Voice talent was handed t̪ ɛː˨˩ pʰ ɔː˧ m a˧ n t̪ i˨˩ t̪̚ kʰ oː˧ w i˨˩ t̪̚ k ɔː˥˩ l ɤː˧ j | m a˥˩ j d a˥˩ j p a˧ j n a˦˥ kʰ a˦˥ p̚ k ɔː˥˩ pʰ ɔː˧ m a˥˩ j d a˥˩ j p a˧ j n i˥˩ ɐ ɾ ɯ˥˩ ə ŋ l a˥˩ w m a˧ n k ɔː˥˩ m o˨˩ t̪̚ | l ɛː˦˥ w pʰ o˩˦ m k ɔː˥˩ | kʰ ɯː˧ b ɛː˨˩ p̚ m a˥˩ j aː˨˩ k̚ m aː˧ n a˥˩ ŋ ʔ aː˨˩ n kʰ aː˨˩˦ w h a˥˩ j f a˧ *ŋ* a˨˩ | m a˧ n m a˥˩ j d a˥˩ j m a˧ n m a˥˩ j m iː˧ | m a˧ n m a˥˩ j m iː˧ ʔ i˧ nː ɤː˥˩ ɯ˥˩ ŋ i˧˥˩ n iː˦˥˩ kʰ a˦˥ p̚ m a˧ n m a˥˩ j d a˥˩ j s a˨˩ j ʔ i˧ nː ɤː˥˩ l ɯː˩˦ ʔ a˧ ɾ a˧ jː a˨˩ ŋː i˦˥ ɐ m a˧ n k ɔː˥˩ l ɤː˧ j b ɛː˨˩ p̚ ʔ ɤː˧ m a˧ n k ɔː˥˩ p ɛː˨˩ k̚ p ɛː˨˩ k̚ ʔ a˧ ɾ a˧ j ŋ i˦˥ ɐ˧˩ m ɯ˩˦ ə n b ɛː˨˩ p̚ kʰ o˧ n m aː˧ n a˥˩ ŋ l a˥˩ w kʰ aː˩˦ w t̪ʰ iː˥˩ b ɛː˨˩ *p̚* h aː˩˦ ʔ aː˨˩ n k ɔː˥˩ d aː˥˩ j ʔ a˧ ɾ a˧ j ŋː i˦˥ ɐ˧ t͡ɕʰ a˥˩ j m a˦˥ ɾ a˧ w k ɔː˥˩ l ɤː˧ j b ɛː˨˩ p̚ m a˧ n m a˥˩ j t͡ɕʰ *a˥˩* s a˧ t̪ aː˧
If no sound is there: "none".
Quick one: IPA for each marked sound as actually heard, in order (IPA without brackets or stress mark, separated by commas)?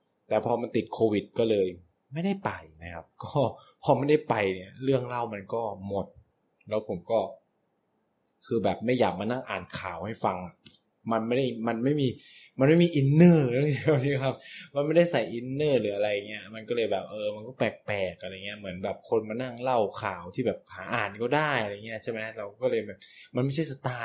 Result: ŋ, p̚, a˥˩